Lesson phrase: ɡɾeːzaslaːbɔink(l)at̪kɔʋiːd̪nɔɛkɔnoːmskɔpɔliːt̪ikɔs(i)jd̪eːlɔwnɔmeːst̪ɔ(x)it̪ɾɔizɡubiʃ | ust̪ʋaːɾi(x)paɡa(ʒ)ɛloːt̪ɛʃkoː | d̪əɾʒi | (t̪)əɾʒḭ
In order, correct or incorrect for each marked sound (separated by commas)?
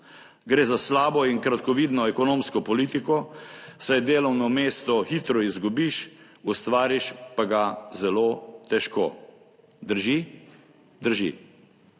incorrect, incorrect, correct, incorrect, incorrect, incorrect